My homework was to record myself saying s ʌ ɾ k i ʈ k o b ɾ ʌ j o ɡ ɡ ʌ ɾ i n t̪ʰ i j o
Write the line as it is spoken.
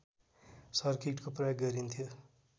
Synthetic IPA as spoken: s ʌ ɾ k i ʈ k o p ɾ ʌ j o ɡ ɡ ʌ ɾ i n t̪ʰ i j o